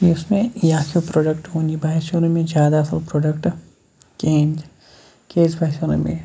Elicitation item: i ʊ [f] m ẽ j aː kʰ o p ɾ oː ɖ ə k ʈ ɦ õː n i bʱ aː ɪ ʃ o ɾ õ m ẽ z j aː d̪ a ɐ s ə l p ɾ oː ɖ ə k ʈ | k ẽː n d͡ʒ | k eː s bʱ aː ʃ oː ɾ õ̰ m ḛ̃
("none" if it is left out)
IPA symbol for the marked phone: s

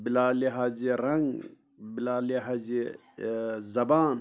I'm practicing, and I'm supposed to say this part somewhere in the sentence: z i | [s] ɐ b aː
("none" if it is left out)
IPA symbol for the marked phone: z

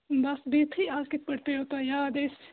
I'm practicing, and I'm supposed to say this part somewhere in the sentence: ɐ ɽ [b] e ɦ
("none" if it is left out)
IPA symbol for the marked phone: p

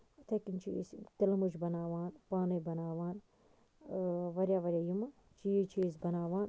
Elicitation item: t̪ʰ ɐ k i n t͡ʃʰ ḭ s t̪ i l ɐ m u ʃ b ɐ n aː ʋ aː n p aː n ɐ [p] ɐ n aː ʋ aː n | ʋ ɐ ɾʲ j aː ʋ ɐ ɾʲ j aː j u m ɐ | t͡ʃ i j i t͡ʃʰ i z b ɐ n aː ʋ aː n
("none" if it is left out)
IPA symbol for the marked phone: b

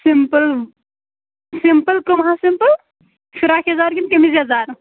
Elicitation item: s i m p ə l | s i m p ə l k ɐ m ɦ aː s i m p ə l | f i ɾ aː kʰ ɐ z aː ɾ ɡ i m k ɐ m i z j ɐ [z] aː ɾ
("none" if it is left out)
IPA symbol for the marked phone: z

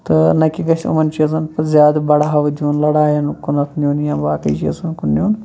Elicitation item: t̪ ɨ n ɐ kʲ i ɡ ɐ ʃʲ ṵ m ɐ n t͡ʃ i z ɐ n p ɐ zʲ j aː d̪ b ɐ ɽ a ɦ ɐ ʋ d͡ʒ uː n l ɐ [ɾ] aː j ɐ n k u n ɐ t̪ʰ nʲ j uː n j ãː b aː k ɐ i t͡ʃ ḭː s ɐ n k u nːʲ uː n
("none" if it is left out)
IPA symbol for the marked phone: ɽ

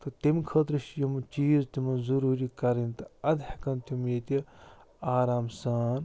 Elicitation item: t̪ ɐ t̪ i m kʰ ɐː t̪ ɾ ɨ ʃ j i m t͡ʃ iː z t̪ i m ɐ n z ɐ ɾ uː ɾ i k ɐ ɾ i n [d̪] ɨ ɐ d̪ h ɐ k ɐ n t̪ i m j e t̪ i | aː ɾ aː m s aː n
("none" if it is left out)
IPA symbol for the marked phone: t̪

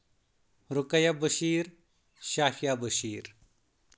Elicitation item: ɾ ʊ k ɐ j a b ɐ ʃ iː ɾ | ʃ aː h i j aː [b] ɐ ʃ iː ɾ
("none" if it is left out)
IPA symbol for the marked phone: b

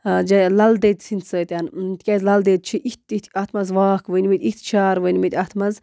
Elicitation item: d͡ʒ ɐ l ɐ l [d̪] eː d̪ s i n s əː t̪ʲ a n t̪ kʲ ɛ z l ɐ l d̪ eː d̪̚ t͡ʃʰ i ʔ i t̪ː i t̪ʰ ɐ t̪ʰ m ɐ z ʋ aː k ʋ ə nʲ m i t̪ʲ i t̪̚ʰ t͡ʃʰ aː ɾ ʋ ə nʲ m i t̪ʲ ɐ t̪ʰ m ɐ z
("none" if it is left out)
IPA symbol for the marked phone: d̪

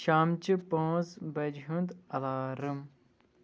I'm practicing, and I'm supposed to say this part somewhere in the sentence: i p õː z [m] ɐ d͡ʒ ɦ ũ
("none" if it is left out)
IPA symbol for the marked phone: b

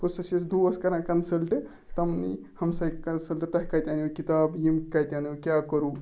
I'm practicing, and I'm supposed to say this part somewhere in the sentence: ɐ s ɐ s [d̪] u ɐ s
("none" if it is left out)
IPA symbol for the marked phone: d̪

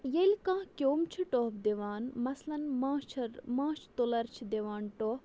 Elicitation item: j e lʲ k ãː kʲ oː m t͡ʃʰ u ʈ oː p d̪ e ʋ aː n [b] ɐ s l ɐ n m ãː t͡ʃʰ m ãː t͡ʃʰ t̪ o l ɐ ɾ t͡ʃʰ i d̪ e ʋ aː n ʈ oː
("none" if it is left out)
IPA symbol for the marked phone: m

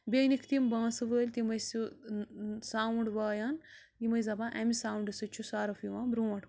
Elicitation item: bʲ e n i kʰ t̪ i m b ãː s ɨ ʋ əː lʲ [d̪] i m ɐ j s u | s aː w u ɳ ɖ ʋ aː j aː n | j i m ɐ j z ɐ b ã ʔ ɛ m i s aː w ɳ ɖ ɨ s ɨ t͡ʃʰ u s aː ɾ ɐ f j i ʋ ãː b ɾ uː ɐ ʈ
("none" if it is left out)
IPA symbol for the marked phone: t̪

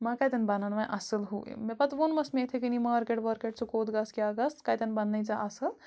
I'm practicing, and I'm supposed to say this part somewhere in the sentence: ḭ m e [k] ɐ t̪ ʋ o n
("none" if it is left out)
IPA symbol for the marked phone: p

